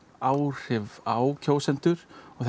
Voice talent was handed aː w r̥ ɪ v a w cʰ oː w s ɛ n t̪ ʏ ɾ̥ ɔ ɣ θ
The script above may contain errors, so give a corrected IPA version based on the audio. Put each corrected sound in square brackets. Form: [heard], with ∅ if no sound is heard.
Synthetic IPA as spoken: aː w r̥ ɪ v a w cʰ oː w s ɛ n t̪ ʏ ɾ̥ ɔ ɣ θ